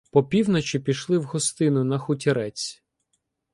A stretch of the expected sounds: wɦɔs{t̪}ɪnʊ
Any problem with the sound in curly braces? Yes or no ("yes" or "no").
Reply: no